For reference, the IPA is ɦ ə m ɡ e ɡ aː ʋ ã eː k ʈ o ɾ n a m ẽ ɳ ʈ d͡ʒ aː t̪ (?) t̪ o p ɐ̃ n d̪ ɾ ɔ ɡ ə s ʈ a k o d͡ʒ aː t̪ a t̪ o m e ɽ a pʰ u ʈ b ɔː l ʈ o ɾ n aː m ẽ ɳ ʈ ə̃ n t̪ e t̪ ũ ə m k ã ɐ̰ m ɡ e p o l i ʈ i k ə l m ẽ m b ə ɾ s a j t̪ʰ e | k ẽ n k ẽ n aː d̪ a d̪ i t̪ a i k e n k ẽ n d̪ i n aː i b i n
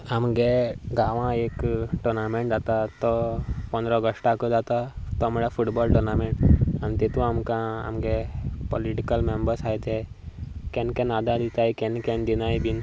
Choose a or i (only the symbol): a